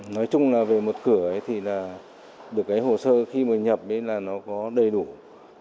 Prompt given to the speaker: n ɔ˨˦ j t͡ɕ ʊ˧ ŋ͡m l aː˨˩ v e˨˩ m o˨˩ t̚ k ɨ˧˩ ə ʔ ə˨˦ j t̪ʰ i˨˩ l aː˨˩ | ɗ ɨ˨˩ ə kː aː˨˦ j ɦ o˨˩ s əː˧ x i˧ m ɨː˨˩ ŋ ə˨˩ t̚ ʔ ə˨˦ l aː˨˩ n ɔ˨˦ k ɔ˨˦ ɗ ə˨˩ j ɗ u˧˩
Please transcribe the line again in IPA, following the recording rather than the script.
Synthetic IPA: n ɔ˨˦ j t͡ɕ ʊ˧ ŋ͡m l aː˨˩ v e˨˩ m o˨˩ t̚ k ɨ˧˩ ə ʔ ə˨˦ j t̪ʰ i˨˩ l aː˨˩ | ɗ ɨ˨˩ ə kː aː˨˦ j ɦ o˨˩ s əː˧ x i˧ m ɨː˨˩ ɲ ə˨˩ p̚ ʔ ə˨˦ l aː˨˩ n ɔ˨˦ k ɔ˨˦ ɗ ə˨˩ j ɗ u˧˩